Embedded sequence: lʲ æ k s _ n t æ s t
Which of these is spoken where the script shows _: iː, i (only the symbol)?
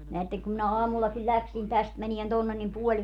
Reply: i